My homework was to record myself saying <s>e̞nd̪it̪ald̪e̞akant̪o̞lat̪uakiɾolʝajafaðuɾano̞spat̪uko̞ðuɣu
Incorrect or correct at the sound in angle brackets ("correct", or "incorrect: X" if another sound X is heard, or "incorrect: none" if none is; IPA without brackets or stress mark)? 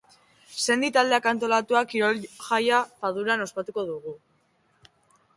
correct